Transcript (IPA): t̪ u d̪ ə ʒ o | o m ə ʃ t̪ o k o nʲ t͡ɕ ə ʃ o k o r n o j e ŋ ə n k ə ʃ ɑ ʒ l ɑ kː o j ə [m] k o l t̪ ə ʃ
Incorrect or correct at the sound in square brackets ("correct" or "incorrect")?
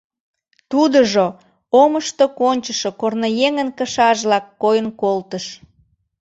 incorrect